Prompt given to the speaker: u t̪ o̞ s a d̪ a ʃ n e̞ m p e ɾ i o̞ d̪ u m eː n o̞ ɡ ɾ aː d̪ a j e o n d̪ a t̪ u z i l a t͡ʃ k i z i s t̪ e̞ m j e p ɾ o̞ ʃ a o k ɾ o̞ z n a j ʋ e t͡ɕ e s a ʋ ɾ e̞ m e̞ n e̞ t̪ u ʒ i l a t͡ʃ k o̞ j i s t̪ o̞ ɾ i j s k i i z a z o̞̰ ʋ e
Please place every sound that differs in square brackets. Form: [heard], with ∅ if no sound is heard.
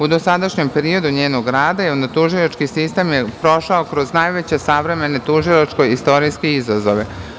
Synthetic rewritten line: u [d̪] o̞ s a d̪ a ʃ [ɲ] e̞ m p e ɾ i o̞ d̪ u [ɲ] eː n o̞ ɡ ɾ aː d̪ a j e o n d̪ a t̪ u [ʒ] i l a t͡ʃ k i [s] i s t̪ e̞ m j e p ɾ o̞ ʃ a o k ɾ o̞ z n a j ʋ e t͡ɕ e s a ʋ ɾ e̞ m e̞ n e̞ t̪ u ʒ i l a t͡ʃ k o̞ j i s t̪ o̞ ɾ i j s k [e] i z a z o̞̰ ʋ e